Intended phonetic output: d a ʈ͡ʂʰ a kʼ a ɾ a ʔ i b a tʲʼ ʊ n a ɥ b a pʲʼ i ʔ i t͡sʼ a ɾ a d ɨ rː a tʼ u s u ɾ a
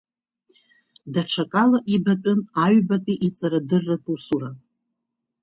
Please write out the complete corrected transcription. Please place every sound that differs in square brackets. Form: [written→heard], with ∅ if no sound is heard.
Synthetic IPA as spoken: d a ʈ͡ʂʰ a kʼ a [ɾ→l] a ʔ i b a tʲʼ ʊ n a ɥ b a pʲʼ i ʔ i t͡sʼ a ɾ a d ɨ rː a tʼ u s u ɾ a